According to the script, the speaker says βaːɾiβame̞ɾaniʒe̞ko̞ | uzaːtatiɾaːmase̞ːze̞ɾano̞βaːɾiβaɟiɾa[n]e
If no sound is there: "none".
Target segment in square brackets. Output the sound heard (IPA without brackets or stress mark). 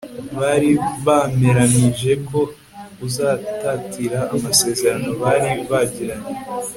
ɲ